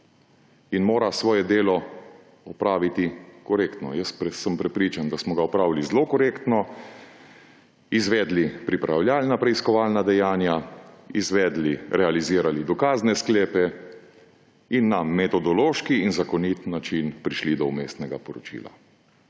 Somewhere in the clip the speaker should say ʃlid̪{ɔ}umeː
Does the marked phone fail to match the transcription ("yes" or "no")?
no